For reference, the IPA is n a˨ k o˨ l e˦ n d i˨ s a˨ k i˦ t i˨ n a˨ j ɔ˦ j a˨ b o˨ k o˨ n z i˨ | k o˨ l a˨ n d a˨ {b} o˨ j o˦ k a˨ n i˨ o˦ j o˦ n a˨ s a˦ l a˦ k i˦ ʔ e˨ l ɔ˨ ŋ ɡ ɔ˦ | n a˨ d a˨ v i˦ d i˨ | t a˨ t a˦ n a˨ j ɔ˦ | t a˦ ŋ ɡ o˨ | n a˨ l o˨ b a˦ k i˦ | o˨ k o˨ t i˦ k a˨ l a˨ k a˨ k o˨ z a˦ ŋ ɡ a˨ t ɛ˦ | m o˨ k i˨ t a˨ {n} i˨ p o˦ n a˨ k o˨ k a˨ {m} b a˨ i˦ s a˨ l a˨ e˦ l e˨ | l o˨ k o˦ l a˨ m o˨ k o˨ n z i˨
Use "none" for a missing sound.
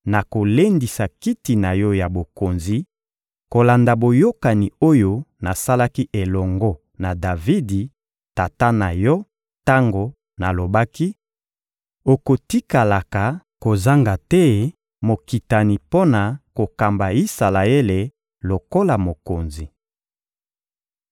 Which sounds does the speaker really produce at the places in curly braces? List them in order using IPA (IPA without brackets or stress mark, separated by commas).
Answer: b, n, m